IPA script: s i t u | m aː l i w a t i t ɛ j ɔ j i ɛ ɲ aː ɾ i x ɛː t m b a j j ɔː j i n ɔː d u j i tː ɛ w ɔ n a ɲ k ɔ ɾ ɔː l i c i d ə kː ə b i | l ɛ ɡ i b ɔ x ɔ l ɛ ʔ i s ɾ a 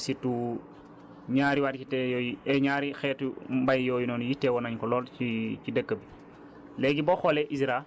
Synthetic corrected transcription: s i t u | ɲ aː ɾ i w a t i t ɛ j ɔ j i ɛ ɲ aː ɾ i x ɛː t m b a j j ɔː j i n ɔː n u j i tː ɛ w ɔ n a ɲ k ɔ l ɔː l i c i d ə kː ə b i | l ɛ ɡ i b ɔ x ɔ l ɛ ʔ i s ɾ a